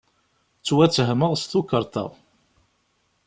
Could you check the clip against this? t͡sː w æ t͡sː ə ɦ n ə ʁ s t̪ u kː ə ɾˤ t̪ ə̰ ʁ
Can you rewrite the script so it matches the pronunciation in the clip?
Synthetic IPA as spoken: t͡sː w æ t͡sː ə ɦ m ə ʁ s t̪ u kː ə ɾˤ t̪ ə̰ ʁ